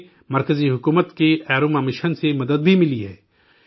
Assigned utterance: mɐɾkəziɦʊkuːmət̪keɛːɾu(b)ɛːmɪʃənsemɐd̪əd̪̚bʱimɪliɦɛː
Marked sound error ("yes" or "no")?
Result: yes